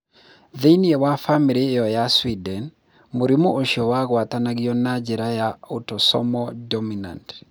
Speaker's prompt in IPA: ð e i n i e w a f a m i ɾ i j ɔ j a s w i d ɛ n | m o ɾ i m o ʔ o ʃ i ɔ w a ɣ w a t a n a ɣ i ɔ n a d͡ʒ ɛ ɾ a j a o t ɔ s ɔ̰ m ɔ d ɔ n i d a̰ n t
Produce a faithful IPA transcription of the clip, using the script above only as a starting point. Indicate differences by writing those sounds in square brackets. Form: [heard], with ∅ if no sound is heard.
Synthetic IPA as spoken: ð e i n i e w a f a m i ɾ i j ɔ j a s w i d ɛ n | m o ɾ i m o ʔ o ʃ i ɔ w a ɣ w a t a n a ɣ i ɔ n a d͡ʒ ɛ ɾ a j a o t ɔ s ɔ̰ m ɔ d ɔ [m] i [n] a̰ n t